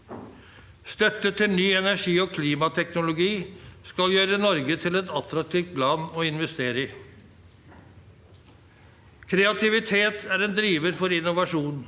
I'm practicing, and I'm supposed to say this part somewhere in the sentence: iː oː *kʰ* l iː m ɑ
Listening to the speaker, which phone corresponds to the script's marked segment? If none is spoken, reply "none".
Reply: kʰ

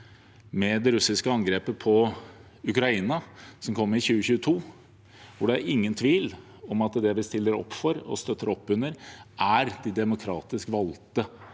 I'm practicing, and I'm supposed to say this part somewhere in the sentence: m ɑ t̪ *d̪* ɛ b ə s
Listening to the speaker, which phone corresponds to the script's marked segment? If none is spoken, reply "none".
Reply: d̪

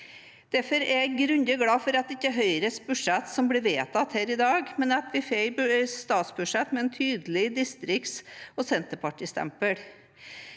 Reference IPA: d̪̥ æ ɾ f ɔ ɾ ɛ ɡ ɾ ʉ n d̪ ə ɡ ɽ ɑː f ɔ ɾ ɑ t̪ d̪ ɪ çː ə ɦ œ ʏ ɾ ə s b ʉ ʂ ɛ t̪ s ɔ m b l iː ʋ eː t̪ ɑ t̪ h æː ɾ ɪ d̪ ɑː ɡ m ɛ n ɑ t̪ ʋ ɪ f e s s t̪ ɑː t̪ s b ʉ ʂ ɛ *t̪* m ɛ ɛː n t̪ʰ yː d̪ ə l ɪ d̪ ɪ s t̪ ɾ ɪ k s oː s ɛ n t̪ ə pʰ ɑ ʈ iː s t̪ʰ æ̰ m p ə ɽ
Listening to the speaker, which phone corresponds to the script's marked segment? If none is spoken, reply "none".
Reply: t̪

